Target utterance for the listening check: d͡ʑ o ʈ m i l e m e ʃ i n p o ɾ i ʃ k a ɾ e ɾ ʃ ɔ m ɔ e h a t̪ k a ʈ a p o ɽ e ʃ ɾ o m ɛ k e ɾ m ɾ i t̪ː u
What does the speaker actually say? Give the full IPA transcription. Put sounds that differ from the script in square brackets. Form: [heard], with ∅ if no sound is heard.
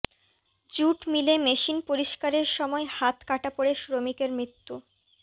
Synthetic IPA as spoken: d͡ʑ [u] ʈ m i l e m e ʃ i n p o ɾ i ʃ k a ɾ e ɾ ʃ ɔ m ɔ e h a t̪ k a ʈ a p o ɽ e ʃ ɾ o m [i] k e ɾ m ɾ i t̪ː u